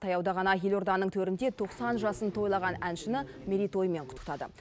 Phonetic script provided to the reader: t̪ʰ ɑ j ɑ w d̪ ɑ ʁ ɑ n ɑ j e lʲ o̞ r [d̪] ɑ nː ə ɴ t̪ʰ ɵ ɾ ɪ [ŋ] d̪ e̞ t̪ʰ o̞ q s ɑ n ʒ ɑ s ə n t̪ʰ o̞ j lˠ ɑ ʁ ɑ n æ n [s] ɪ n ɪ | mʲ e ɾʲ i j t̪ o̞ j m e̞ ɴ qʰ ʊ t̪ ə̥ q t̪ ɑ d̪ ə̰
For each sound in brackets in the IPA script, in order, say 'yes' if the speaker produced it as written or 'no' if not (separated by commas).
yes, no, no